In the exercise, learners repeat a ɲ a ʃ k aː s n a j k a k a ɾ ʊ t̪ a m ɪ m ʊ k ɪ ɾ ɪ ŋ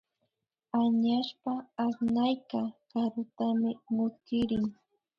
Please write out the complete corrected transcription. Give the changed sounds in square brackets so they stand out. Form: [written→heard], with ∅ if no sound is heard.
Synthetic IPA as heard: a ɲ a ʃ [k→p] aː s n a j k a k a ɾ ʊ t̪ a m ɪ m ʊ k ɪ ɾ ɪ ŋ